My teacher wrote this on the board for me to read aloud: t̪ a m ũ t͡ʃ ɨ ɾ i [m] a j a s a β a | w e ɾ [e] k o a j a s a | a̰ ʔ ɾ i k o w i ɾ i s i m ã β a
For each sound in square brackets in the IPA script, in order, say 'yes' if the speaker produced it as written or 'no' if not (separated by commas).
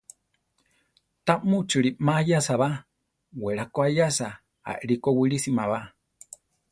yes, no